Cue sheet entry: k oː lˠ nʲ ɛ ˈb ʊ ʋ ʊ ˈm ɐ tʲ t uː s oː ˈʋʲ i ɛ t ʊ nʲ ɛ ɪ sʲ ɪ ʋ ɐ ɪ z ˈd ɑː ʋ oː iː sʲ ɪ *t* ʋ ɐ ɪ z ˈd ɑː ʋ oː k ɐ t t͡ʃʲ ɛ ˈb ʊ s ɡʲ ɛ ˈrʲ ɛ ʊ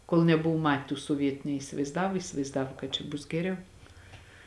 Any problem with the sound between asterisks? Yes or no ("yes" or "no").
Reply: yes